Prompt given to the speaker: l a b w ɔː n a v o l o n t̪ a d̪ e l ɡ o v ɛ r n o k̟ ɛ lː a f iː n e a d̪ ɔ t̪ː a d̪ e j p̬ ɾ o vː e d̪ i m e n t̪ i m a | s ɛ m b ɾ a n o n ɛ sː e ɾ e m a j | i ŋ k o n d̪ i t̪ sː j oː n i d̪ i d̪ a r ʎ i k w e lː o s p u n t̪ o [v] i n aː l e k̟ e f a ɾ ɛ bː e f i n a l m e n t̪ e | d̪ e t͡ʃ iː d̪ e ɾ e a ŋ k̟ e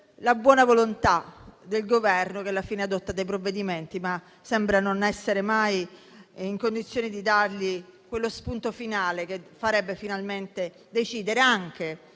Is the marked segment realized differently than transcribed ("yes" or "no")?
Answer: yes